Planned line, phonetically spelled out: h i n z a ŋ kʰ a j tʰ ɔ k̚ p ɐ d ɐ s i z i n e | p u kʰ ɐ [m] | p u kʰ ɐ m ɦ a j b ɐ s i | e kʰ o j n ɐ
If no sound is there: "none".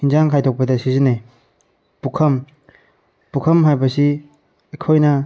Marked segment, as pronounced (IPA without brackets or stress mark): m